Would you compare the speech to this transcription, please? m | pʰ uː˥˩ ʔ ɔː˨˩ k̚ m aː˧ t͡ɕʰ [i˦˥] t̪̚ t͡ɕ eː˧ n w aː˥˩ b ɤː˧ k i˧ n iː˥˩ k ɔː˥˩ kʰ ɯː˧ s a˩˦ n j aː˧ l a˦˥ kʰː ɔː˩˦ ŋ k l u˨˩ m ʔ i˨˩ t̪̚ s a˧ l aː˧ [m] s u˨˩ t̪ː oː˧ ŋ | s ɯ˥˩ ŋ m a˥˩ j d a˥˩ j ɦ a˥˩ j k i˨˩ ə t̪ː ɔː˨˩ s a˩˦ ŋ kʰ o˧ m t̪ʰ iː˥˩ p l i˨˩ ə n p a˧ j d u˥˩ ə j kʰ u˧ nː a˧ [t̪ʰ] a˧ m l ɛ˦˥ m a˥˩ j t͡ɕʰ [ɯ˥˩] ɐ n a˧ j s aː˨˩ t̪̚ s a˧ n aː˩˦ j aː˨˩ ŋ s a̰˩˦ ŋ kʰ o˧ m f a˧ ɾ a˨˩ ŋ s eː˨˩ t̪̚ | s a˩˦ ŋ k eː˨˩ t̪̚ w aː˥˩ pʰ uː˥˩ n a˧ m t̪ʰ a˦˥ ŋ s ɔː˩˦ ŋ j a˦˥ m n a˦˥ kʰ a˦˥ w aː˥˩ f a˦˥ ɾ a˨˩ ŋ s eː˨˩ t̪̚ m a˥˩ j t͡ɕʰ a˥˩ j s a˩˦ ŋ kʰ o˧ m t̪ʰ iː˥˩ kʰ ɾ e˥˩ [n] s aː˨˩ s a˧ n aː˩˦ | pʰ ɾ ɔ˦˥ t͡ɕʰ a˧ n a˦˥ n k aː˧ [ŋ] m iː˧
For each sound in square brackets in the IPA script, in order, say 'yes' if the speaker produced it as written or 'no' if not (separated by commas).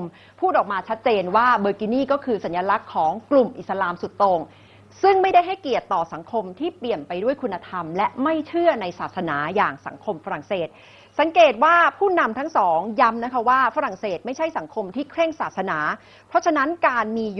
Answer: no, yes, yes, yes, no, no